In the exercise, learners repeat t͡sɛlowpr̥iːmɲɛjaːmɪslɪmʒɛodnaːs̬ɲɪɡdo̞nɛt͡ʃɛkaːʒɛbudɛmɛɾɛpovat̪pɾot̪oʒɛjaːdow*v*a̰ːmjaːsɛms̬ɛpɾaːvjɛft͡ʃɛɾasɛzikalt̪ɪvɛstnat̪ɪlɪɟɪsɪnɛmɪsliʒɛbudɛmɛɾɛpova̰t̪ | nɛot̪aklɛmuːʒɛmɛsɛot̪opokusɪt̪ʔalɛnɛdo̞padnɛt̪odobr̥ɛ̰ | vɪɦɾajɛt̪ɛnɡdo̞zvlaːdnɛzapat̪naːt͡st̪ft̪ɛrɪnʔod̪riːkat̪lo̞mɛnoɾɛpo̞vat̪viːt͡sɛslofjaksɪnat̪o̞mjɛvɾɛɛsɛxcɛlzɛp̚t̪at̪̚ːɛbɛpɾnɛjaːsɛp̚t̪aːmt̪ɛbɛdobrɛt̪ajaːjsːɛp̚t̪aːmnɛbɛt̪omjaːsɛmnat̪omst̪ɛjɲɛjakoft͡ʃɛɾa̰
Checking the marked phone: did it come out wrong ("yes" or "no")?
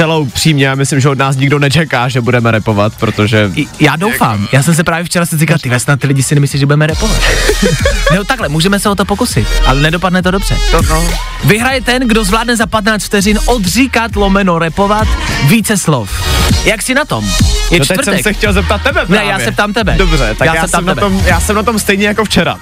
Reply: yes